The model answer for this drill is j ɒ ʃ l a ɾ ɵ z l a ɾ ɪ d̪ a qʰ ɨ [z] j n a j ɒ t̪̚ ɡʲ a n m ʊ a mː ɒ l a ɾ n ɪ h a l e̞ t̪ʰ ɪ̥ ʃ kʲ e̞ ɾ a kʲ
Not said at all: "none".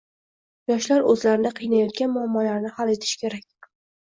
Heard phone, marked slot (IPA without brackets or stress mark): none